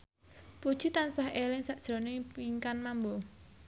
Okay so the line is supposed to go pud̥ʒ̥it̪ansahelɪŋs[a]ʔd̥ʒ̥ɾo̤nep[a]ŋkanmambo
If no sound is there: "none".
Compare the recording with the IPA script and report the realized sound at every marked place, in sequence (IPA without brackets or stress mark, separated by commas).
a, i